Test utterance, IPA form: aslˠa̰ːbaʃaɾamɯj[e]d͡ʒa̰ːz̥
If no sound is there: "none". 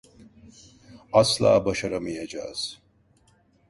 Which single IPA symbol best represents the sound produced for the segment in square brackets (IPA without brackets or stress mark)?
a